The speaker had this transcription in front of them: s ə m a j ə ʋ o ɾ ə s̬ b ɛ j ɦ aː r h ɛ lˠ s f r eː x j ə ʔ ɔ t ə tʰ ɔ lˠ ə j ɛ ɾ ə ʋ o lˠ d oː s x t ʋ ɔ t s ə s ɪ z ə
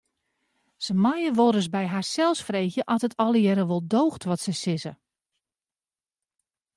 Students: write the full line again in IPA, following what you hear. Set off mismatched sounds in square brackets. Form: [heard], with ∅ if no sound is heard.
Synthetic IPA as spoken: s ə m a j ə ʋ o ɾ ə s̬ b ɛ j ɦ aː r [s] ɛ lˠ s f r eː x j ə ʔ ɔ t ə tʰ ɔ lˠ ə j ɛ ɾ ə ʋ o lˠ d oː [∅] x t ʋ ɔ t s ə s ɪ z ə